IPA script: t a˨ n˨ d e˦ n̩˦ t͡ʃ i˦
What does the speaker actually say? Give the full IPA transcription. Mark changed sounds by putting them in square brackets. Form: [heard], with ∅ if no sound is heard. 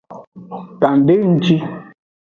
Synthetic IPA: t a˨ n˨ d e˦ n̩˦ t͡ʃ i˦